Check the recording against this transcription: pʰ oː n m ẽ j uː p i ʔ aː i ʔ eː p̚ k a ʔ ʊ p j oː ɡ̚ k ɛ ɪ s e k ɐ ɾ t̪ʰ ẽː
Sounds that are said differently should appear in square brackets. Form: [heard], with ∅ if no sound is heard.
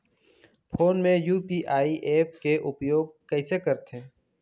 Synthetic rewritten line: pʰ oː n m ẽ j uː p i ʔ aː i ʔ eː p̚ k [e] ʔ ʊ p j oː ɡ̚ k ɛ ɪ s e k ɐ ɾ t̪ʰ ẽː